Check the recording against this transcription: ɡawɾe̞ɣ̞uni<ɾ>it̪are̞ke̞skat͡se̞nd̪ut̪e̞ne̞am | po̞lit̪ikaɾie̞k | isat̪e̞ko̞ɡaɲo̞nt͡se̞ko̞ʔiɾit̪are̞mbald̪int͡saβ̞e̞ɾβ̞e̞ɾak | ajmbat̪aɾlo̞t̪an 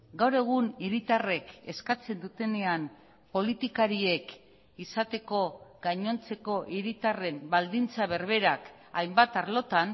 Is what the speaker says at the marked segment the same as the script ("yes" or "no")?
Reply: yes